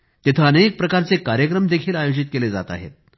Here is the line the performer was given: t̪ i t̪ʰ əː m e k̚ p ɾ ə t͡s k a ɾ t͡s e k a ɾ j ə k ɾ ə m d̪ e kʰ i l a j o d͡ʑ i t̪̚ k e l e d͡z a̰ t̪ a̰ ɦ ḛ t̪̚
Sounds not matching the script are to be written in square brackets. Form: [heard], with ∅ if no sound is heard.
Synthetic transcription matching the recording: t̪ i t̪ʰ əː [n] e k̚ p ɾ ə [∅] k a ɾ t͡s e k a ɾ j ə k ɾ ə m d̪ e kʰ [iː] l a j o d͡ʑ i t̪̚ k e l e d͡z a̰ t̪ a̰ ɦ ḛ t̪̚

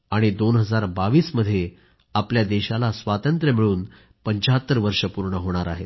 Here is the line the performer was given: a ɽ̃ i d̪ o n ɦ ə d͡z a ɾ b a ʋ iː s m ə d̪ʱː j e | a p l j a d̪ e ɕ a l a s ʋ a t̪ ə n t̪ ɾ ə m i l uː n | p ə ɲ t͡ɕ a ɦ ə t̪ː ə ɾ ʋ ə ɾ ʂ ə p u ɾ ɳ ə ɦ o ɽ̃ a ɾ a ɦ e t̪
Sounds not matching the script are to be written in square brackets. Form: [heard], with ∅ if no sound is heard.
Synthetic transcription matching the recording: a ɽ̃ i d̪ o n ɦ ə d͡z a ɾ b a ʋ iː s m ə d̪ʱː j e | a p l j a d̪ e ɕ a l a s ʋ a t̪ ə n t̪ ɾ ə m i [ɭ] uː n | p ə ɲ t͡ɕ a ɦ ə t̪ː ə ɾ ʋ ə ɾ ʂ ə p u ɾ ɳ ə ɦ o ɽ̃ a ɾ a ɦ e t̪

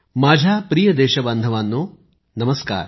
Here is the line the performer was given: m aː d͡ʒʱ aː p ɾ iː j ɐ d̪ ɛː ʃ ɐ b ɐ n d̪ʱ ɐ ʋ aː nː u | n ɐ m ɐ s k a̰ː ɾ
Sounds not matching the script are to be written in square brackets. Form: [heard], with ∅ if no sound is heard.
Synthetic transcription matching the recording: m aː d͡ʒʱ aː p ɾ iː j ɐ d̪ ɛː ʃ ɐ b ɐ n d̪ʱ ɐ ʋ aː nː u | n ɐ m ɐ s k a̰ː ɾ

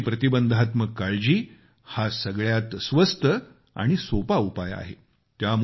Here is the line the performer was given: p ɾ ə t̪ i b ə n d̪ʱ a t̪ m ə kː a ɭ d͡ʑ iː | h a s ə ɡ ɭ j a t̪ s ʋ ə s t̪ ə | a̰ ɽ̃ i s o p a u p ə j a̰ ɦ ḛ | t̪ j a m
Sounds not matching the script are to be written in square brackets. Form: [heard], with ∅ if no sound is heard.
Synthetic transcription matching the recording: p ɾ ə t̪ i b ə n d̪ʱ a t̪ m ə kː a ɭ d͡ʑ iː | h a s ə ɡ ɭ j a t̪ s ʋ ə s t̪ ə | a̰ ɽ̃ i s o p a u p [a] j a̰ ɦ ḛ | t̪ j a m

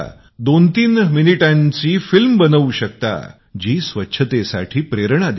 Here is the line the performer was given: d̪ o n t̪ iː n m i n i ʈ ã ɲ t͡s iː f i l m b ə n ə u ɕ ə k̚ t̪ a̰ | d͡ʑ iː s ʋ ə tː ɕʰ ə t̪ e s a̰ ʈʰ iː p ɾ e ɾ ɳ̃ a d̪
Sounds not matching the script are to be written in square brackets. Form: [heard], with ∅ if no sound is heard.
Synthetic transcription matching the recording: d̪ o n t̪ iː n m i n i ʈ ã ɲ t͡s iː f i l m b ə n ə u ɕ ə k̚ t̪ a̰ | d͡ʑ iː s ʋ ə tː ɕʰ ə t̪ e s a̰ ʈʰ iː p ɾ e ɾ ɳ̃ a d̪

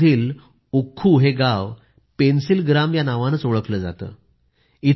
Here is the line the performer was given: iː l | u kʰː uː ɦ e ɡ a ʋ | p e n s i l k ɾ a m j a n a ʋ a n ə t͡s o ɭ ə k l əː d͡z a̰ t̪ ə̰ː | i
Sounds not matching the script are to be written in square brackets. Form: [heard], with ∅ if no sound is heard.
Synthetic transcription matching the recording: iː l | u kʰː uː ɦ e ɡ a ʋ | p e n s i l [ɡ] ɾ a m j a n a ʋ a n ə t͡s o ɭ ə k l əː d͡z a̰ t̪ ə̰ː | i

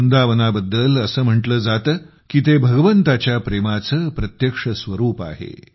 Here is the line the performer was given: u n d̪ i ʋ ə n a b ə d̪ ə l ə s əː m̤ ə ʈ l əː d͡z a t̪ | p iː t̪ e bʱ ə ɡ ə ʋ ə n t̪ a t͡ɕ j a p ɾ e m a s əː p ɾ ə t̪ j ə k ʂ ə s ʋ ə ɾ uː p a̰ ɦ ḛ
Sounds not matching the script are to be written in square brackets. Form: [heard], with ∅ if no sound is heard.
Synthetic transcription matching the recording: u n d̪ [a] ʋ ə n a b ə [d̪ː] ə l ə s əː m̤ ə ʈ l əː d͡z a t̪ | [k] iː t̪ e bʱ ə ɡ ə ʋ ə n t̪ a t͡ɕ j a p ɾ e m a [t͡s] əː p ɾ ə t̪ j ə k ʂ ə s ʋ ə ɾ uː p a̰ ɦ ḛ

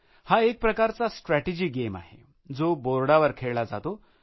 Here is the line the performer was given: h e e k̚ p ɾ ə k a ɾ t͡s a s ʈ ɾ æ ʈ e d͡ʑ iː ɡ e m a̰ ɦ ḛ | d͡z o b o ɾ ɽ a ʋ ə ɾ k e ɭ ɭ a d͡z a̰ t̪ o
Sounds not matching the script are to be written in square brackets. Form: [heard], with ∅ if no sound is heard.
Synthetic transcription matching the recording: h [a] e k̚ p ɾ ə k a ɾ t͡s a s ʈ ɾ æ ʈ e d͡ʑ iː ɡ e m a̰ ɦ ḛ | d͡z o b o ɾ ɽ a ʋ ə ɾ [kʰ] e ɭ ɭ a d͡z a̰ t̪ o

